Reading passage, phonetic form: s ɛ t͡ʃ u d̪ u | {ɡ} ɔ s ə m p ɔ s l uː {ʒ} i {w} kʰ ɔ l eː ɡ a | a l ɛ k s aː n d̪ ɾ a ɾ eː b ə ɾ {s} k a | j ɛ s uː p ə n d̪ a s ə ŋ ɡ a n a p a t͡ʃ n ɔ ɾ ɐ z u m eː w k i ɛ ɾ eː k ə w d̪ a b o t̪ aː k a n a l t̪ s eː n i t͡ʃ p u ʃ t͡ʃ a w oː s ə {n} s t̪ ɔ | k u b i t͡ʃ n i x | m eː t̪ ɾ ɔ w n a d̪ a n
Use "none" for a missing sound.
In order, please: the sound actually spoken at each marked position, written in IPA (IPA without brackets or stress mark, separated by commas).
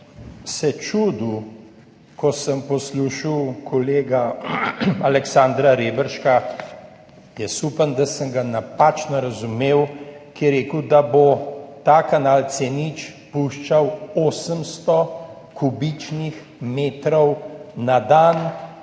k, ʃ, w, ʃ, m